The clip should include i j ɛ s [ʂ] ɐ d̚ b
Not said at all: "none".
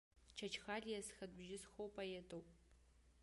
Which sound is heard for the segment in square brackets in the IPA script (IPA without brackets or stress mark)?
x